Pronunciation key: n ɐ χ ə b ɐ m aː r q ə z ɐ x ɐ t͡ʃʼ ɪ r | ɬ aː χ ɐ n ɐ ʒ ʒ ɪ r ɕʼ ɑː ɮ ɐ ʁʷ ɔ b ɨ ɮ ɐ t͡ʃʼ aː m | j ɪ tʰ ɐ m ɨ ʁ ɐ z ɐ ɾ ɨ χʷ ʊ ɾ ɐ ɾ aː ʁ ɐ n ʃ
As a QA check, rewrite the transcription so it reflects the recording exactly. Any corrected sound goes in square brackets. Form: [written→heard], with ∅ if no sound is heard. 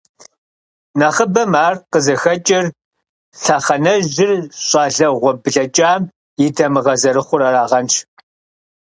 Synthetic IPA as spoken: n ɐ χ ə b ɐ m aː r q ə z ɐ x ɐ t͡ʃʼ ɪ r | ɬ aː χ ɐ n ɐ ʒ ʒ ɪ r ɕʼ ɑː ɮ ɐ ʁʷ ɔ b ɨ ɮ ɐ t͡ʃʼ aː m | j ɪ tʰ ɐ m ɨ ʁ ɐ z ɐ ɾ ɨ χʷ ʊ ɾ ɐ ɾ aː ʁ ɐ n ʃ